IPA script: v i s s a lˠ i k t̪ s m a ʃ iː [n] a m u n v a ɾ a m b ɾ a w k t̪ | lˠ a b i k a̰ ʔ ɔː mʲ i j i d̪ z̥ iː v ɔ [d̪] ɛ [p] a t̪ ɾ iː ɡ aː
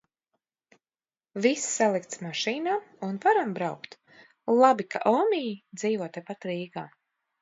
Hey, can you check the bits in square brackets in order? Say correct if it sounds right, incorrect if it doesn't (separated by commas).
correct, incorrect, correct